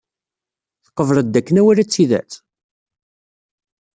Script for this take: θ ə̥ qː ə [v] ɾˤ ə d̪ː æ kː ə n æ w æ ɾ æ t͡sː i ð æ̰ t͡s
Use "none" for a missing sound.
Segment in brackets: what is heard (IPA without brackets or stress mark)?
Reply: v